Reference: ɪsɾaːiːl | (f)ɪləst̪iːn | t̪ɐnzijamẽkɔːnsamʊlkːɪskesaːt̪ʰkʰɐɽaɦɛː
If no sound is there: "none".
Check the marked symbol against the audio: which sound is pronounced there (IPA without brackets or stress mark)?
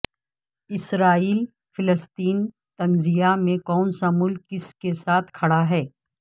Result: f